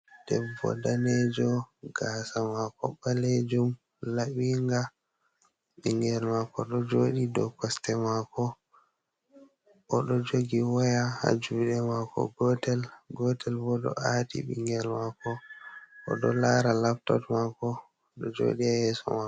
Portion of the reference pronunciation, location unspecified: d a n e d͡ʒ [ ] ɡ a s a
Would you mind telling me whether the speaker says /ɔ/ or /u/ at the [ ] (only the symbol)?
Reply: ɔ